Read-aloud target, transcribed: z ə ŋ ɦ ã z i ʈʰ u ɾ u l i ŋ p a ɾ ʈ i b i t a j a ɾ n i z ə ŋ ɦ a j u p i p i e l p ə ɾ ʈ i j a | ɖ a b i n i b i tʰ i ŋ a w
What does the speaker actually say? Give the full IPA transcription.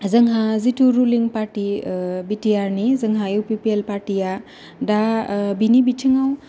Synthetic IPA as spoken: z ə ŋ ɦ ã z i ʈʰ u ɾ u l i ŋ p a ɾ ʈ i b i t i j a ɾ n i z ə ŋ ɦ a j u p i p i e l p a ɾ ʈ i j a | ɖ a b i n i b i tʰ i ŋ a w